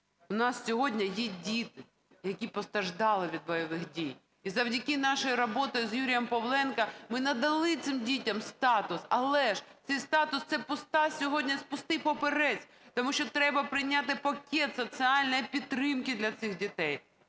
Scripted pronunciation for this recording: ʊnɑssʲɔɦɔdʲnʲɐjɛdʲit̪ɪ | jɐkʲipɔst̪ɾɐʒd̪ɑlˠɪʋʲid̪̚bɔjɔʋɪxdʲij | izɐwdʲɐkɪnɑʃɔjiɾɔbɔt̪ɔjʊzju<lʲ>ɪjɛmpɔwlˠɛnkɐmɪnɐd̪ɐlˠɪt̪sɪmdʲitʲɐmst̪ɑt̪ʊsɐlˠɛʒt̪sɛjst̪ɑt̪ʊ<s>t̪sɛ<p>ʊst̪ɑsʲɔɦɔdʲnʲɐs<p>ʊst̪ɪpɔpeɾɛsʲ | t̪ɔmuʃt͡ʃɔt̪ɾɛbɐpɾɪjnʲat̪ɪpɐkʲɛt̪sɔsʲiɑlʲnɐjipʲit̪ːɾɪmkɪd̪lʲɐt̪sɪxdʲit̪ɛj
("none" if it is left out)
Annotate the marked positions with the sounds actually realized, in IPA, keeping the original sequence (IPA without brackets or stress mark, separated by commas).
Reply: ɾʲ, s, p, p